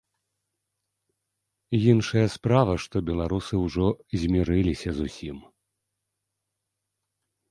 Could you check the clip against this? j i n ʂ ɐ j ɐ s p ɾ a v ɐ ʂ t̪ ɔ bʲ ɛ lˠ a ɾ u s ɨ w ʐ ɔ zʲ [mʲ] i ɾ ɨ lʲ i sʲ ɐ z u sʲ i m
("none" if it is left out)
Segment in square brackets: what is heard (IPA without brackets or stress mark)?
mʲ